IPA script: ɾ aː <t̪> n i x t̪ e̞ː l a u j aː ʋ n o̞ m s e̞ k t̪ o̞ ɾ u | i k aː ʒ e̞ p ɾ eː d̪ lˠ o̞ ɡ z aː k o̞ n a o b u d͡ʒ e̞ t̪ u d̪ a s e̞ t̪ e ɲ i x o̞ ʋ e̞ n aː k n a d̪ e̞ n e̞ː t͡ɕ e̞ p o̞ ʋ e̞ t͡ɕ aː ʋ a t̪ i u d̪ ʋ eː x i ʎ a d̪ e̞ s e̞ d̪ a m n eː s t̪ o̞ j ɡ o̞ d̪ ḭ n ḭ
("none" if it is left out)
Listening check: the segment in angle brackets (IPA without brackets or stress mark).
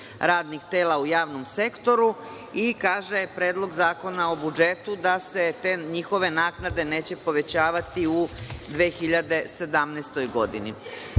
d̪